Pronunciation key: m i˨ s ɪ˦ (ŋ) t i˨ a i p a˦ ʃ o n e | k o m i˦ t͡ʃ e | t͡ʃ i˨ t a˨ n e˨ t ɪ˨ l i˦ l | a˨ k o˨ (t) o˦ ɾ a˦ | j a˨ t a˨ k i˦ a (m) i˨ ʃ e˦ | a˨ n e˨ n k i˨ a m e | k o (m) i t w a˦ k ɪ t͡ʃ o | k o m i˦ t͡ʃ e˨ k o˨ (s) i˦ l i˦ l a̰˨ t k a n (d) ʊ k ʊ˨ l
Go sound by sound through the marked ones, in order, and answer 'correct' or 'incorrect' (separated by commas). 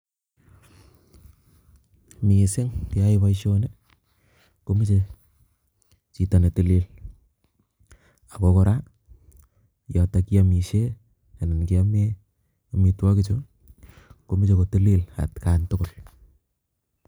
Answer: correct, incorrect, correct, correct, incorrect, incorrect